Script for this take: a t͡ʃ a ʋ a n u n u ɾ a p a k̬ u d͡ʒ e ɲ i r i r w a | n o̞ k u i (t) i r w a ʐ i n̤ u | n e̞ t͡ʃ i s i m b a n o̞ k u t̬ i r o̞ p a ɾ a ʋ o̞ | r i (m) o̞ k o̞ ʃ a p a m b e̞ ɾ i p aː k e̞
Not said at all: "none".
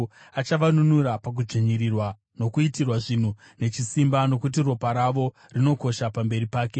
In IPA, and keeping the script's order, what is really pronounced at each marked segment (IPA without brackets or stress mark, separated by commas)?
t, n